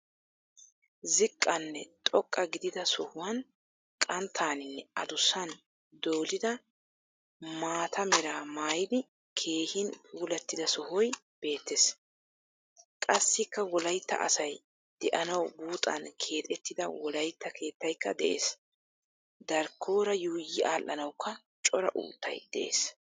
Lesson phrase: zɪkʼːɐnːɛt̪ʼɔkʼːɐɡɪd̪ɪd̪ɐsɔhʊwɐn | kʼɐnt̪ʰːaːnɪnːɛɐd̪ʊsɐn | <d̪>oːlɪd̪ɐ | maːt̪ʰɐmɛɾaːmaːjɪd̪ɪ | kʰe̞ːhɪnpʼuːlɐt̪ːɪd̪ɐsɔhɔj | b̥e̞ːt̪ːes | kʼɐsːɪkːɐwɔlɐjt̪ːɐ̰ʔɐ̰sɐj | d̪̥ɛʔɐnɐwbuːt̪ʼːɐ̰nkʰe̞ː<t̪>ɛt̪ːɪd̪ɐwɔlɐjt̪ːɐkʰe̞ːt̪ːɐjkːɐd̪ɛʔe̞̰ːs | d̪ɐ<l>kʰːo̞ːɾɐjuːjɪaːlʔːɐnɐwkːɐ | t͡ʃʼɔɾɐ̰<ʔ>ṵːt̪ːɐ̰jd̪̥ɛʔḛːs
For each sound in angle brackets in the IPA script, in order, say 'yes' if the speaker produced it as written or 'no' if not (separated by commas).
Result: yes, no, no, yes